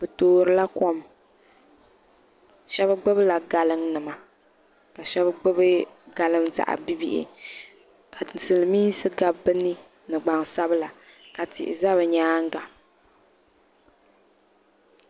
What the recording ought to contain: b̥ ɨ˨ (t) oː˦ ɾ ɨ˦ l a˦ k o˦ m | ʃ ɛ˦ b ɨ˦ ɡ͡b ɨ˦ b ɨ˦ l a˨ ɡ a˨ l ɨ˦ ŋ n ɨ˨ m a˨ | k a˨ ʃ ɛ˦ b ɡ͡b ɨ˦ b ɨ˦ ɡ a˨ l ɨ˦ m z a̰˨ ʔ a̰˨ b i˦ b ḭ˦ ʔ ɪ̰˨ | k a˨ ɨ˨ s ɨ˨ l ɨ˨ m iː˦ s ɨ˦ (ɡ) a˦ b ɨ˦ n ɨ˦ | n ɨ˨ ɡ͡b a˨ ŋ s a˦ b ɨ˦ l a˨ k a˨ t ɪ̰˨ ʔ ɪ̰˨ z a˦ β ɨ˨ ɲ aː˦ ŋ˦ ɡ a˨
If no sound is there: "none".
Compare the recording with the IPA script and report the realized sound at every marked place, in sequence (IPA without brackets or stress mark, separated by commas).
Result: t, ɡ